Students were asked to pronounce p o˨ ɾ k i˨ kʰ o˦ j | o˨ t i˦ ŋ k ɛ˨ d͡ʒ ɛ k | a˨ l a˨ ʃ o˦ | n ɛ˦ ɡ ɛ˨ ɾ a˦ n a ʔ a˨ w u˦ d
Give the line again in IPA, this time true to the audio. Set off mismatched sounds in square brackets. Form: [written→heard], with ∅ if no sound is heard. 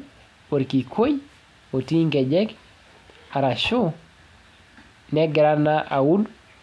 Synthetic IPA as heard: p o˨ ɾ k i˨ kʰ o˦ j | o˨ t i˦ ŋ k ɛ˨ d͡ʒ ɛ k | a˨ [l→ɾ] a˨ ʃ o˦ | n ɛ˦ ɡ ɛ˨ ɾ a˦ n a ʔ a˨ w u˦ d

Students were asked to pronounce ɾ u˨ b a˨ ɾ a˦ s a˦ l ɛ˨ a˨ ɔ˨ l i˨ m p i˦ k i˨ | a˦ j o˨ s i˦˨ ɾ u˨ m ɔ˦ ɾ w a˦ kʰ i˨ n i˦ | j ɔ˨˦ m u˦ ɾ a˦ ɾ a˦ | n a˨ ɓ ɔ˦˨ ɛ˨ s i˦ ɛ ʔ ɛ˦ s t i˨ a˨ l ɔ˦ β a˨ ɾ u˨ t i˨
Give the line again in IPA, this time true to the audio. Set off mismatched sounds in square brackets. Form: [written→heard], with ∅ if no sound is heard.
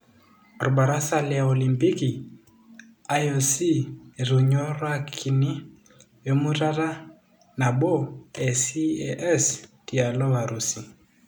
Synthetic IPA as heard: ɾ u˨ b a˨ ɾ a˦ s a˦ l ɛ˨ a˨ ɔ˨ l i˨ m p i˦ k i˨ | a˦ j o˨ s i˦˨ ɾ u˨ [m→ɲ] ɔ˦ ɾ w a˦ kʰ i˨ n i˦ | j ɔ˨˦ m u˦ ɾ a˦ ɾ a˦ | n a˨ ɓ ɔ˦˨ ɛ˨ s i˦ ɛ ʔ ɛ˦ s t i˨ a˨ l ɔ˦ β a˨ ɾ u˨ [t→s] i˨

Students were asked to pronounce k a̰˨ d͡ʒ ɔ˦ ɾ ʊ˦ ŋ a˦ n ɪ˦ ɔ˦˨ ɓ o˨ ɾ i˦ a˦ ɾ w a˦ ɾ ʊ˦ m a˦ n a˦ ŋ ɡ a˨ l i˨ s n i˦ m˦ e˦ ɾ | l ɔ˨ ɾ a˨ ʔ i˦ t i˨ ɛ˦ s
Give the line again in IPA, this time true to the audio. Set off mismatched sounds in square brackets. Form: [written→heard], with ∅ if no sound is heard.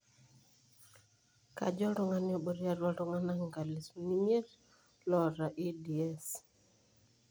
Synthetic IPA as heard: k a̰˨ d͡ʒ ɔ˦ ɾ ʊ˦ ŋ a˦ n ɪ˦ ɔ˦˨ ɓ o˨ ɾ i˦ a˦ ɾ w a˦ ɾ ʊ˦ [m→ŋ] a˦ n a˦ ŋ ɡ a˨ l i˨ s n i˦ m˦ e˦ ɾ | l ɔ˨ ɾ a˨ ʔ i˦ [t→d] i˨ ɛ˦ s

